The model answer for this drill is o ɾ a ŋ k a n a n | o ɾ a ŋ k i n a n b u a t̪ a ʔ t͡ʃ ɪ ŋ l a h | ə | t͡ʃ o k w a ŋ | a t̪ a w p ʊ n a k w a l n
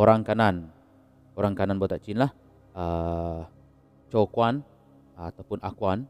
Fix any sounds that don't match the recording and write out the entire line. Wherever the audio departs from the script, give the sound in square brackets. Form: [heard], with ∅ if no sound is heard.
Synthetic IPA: o ɾ a ŋ k a n a n | o ɾ a ŋ k [a] n a n b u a t̪ a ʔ t͡ʃ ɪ [n] l a h | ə | t͡ʃ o k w a [n] | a t̪ a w p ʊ n a k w a [∅] n